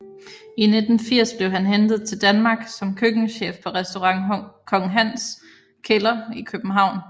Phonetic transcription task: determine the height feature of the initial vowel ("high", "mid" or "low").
high